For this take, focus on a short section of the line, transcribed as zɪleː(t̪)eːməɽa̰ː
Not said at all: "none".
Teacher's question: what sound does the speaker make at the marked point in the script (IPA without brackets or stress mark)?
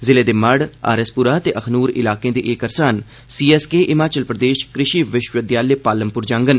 d̪